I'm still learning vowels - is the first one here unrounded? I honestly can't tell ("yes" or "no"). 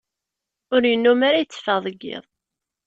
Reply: no